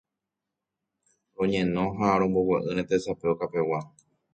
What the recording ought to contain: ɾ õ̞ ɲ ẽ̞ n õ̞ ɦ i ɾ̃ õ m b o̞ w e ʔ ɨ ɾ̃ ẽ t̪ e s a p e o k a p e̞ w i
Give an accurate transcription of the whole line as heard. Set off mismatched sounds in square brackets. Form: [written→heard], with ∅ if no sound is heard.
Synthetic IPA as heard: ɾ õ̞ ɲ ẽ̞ n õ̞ ɦ [i→a] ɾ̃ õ m b o̞ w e ʔ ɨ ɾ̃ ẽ t̪ e s a p e o k a p e̞ w [i→a]

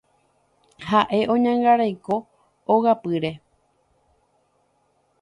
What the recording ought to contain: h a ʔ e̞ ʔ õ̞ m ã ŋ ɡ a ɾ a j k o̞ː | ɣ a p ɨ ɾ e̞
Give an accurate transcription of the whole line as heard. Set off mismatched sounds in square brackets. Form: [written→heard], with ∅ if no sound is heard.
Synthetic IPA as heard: h a ʔ e̞ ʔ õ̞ [m→ɲ] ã ŋ ɡ a ɾ a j k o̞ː | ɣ a p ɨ ɾ e̞

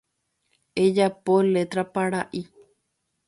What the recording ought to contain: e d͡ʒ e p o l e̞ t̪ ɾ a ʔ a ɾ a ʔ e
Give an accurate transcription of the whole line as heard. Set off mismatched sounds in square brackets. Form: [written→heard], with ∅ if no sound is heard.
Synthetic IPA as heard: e d͡ʒ [e→a] p o l e̞ t̪ ɾ a [ʔ→p] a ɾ a ʔ [e→i]

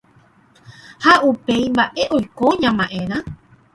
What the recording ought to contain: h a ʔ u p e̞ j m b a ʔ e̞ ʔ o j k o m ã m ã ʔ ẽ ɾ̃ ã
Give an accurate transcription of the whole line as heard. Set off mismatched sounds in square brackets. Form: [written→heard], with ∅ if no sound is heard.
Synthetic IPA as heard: h a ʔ u p e̞ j m b a ʔ e̞ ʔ o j k o [m→ɲ] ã m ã ʔ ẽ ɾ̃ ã

